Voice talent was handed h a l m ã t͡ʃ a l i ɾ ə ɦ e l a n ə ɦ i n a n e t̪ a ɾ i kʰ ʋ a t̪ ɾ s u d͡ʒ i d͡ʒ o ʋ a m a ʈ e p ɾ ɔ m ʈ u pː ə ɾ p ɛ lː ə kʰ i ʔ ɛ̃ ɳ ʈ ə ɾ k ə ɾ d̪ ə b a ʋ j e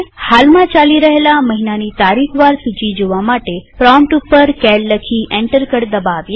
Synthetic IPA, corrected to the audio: h a l m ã t͡ʃ a l i ɾ ə ɦ e l a m ə ɦ i n a n i t̪ a ɾ i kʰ ʋ a ɾ s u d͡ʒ i d͡ʒ o ʋ a m a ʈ e p ɾ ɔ m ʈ u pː ə ɾ k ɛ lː ə kʰ i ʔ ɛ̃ ɳ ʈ ə ɾ k ə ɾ d̪ ə b a ʋ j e

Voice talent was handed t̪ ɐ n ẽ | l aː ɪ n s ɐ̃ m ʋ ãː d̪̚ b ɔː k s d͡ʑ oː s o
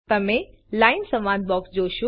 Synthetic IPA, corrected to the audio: t̪ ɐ m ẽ | l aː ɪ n s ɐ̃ m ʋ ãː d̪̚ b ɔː k s d͡ʑ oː ʃ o

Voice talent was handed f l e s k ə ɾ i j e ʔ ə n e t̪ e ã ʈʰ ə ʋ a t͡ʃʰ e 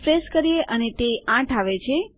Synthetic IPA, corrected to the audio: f ɾ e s k ə ɾ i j e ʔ ə n e t̪ e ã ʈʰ a ʋ e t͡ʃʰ e

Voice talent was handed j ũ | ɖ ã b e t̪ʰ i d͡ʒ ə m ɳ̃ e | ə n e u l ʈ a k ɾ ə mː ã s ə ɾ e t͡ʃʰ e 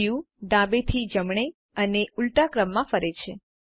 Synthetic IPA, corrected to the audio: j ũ | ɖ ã b e t̪ʰ i d͡ʒ ə m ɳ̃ e | ə n e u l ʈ a k ɾ ə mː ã f ə ɾ e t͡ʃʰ e

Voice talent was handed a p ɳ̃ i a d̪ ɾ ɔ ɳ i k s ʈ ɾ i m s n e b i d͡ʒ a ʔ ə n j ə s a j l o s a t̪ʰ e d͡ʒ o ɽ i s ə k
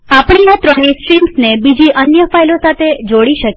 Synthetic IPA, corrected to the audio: a p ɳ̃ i a t̪ ɾ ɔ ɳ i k s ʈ ɾ i m s n e b i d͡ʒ i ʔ ə n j ə f a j l o s a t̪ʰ e d͡ʒ o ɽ i ʃ ə k

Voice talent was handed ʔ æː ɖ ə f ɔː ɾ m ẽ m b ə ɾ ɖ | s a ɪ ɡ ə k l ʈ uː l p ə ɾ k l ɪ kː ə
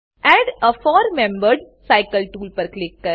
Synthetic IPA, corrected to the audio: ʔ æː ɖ ə f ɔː ɾ m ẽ m b ə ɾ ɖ | s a ɪ k ə l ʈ uː l p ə ɾ k l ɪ kː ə

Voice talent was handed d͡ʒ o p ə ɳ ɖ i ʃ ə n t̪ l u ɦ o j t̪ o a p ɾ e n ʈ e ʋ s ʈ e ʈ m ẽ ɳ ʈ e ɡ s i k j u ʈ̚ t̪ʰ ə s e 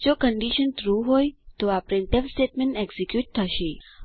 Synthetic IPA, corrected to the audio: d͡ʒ o k ə ɳ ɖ i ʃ ə n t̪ ɾ u ɦ o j t̪ o a p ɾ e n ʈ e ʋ s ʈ e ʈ m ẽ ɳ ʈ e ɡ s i k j u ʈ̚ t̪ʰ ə ʃ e

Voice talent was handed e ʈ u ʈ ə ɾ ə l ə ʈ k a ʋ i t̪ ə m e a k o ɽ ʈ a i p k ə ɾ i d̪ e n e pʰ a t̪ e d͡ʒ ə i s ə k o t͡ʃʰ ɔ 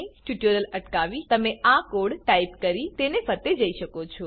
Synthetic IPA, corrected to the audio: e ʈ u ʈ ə ɾ ə l ə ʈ k a ʋ i t̪ ə m e a k o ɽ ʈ a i p k ə ɾ i t̪ e n e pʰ ə t̪ e d͡ʒ ə i ʃ ə k o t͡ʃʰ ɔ

